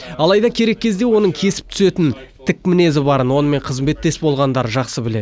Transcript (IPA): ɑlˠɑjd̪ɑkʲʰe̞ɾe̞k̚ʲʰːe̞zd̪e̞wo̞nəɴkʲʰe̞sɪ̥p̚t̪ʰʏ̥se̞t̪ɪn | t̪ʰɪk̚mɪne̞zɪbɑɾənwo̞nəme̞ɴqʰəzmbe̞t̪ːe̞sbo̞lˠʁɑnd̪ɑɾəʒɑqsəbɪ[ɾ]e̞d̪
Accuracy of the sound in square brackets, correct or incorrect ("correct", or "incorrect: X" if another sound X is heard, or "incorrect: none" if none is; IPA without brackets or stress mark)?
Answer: incorrect: l